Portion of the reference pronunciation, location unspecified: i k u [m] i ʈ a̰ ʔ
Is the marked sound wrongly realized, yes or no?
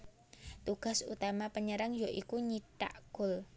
yes